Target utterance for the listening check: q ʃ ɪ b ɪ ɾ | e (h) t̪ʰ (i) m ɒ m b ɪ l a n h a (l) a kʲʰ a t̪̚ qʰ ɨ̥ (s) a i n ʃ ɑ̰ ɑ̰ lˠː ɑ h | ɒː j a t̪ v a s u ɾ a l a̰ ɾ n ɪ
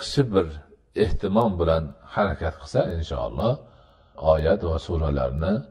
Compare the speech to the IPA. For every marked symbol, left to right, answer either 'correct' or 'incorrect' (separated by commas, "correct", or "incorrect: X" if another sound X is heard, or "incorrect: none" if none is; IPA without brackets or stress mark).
correct, incorrect: ɪ, incorrect: ɾ, correct